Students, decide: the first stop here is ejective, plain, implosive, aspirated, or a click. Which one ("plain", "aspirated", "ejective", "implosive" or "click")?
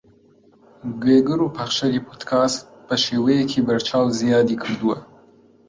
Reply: plain